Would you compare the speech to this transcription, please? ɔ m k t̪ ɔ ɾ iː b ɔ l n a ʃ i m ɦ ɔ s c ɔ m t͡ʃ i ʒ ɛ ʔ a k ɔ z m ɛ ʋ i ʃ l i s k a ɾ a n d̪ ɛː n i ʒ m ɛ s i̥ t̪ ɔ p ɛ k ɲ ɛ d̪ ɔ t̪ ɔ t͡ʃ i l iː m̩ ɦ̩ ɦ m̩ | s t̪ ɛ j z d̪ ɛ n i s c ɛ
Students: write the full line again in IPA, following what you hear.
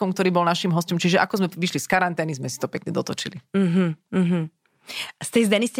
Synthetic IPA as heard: ɔ m k t̪ ɔ ɾ iː b ɔ l n a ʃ i m ɦ ɔ s c ɔ m t͡ʃ i ʒ ɛ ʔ a k ɔ z m ɛ ʋ i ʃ l i s k a ɾ a n t̪ ɛː n i z m ɛ s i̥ t̪ ɔ p ɛ k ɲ ɛ d̪ ɔ t̪ ɔ t͡ʃ i l i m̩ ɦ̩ ɦ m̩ | s t̪ ɛ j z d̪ ɛ n i s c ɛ